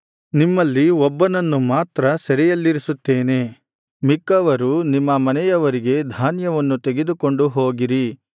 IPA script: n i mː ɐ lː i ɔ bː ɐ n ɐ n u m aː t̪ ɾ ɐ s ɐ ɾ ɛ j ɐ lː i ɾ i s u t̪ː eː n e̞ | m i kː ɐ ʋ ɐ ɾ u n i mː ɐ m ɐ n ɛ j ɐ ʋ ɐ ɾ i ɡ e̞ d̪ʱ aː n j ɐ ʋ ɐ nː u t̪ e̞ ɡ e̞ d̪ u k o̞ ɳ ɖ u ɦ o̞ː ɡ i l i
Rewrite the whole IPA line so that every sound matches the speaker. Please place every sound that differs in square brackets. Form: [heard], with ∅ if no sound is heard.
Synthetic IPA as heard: n i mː ɐ lː i ɔ bː ɐ n ɐ [nː] u m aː t̪ ɾ ɐ s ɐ ɾ ɛ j ɐ lː i ɾ i s u t̪ː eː n e̞ | m i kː ɐ ʋ ɐ ɾ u n i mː ɐ m ɐ n ɛ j ɐ ʋ ɐ ɾ i ɡ e̞ d̪ʱ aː n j ɐ ʋ ɐ nː u t̪ e̞ ɡ e̞ d̪ u k o̞ ɳ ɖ u ɦ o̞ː ɡ i [ɾ] i